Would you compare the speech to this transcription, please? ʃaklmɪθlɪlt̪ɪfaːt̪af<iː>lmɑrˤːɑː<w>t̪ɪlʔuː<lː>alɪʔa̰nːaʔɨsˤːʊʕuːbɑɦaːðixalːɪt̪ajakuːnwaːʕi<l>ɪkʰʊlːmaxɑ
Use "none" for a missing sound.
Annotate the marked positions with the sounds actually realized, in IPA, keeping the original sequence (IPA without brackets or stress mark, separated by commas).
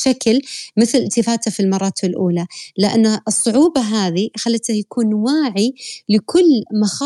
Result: i, none, l, l